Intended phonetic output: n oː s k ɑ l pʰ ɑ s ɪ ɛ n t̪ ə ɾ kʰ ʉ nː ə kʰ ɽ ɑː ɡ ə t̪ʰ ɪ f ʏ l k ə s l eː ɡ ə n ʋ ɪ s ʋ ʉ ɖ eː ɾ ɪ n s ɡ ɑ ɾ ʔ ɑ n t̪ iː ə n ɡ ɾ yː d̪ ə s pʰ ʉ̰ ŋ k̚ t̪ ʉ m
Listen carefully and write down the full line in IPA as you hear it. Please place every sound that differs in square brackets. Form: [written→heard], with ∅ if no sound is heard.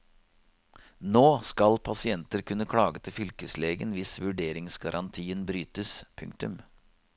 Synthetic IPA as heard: n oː s k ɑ l pʰ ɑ s ɪ ɛ n t̪ ə ɾ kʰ ʉ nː ə kʰ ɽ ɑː ɡ ə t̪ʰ ɪ f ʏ l k ə s l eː ɡ ə n ʋ ɪ s ʋ ʉ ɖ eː ɾ ɪ [n→ŋ] s ɡ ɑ ɾ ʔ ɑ n [t̪→t̪ʰ] iː ə n [ɡ→b] ɾ yː [d̪→t̪] ə s pʰ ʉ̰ ŋ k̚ t̪ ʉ m

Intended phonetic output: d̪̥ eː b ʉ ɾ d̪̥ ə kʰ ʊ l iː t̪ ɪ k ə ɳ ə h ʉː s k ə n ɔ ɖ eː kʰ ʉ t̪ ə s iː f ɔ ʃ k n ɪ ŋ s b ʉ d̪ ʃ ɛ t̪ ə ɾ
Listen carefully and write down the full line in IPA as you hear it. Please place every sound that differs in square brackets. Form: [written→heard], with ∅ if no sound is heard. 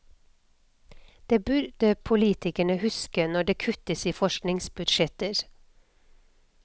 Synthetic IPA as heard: d̪̥ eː b ʉ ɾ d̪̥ ə [kʰ→pʰ] ʊ l iː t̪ ɪ k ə ɳ ə h [ʉː→ʉ] s k ə n ɔ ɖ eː kʰ ʉ t̪ ə s iː f ɔ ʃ k n ɪ ŋ s b ʉ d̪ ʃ ɛ t̪ ə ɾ

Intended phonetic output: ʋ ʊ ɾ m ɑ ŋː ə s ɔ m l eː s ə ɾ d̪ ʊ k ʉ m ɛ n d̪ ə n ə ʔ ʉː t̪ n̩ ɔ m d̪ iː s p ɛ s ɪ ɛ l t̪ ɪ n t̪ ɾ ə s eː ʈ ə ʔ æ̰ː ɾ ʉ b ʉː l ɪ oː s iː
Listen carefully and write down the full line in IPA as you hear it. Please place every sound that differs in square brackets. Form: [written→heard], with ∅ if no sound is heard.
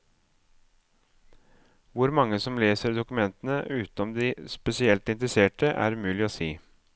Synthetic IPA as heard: ʋ ʊ ɾ m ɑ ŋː ə s ɔ m l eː s ə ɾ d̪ ʊ k ʉ m ɛ n [d̪→t̪] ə n ə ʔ ʉː t̪ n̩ ɔ m d̪ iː s p ɛ s ɪ ɛ l t̪ ɪ n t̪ ɾ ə s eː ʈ ə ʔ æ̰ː ɾ ʉ [b→m] ʉː l ɪ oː s iː

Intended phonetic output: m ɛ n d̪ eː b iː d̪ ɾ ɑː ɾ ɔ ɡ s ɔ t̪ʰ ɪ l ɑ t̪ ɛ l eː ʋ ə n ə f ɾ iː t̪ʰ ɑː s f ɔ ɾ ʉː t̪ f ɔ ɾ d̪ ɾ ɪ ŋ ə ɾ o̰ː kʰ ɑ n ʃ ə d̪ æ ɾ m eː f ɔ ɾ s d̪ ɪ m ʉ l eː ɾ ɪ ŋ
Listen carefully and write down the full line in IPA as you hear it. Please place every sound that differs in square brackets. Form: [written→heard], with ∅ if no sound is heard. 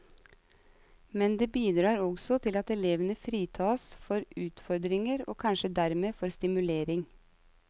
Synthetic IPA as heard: m ɛ n d̪ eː b iː d̪ ɾ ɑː ɾ ɔ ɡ s ɔ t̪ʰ ɪ l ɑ t̪ ɛ l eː ʋ ə n ə f ɾ iː t̪ʰ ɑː s f ɔ ɾ ʉː t̪ f ɔ ɾ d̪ ɾ ɪ ŋ ə ɾ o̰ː kʰ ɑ n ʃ ə d̪ æ ɾ m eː f ɔ ɾ s [d̪→t̪] ɪ m ʉ l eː ɾ ɪ ŋ

